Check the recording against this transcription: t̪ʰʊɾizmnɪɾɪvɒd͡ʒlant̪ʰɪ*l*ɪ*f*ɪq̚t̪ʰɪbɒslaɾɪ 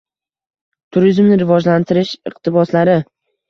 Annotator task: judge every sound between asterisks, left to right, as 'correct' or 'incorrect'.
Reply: incorrect: ɾ, incorrect: ʃ

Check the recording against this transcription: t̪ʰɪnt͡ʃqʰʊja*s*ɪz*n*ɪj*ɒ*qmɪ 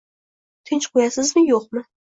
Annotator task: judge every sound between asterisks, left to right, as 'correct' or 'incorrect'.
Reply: correct, incorrect: m, incorrect: o

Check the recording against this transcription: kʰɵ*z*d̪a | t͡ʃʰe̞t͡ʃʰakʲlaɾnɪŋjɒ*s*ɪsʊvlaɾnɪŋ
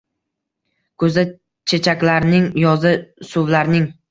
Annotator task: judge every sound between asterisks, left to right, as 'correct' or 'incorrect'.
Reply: correct, incorrect: z

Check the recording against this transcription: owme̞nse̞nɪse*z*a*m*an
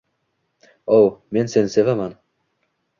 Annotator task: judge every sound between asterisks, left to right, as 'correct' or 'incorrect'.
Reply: incorrect: v, correct

